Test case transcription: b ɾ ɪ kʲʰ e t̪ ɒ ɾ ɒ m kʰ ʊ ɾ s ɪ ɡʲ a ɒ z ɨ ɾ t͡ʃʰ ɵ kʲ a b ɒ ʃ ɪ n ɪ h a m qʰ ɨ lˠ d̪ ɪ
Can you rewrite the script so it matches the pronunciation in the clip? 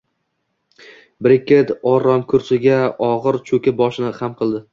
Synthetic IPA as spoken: b ɾ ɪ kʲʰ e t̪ ɒ ɾ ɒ m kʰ ʊ ɾ s ɪ ɡʲ a ɒ ʁ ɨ ɾ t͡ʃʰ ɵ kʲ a b ɒ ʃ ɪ n ɪ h a m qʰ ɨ lˠ d̪ ɪ